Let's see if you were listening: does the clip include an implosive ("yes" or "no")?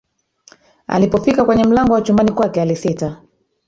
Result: no